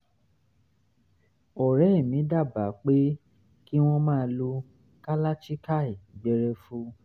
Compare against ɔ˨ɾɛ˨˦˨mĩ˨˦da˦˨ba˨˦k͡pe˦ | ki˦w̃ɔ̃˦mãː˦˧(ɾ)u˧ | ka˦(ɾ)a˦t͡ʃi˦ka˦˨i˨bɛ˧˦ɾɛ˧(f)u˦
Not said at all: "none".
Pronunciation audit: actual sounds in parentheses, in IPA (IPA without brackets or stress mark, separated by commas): l, l, f